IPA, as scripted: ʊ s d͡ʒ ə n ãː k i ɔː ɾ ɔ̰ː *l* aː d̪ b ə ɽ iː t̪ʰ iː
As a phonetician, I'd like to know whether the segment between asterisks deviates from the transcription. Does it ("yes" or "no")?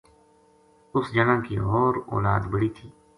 no